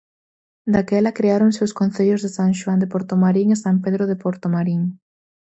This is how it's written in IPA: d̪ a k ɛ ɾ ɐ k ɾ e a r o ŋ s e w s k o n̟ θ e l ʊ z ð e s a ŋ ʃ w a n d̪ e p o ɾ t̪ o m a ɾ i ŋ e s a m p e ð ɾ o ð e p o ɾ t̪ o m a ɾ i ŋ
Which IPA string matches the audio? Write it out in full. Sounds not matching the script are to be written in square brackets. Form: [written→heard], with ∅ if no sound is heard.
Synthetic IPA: d̪ a k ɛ [ɾ→l] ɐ k ɾ e a [r→ɾ] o ŋ s e w s k o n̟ θ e [l→ʎ] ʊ z ð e s a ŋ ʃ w a n d̪ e p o ɾ t̪ o m a ɾ i ŋ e s a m p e ð ɾ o ð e p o ɾ t̪ o m a ɾ i ŋ